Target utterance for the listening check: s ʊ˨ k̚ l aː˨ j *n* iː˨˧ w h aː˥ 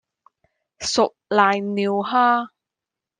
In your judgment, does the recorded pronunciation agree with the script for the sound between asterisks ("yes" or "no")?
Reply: yes